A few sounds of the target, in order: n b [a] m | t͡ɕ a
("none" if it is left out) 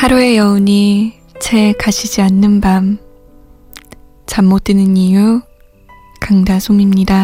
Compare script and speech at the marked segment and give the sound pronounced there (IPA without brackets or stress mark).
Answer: a